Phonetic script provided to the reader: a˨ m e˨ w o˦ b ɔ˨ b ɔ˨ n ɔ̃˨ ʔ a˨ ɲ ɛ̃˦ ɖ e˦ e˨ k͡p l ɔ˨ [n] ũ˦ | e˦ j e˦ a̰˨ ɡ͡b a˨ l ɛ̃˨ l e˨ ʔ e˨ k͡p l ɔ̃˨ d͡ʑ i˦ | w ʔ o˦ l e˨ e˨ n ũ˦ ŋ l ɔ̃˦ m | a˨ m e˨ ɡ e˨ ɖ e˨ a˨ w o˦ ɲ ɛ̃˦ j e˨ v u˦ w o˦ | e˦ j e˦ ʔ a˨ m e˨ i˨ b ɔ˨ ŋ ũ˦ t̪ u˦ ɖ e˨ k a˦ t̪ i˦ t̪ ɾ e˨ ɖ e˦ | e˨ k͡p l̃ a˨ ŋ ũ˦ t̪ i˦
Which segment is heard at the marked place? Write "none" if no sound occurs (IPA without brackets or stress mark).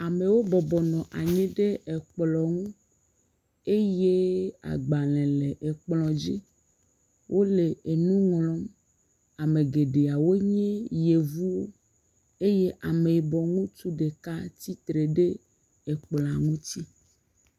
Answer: ŋ